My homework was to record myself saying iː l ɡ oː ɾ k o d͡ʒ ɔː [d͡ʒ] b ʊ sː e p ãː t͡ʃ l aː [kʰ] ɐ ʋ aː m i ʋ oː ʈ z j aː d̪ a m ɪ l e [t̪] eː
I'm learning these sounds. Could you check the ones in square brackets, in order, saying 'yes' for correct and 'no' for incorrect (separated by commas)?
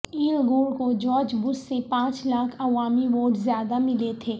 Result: yes, yes, no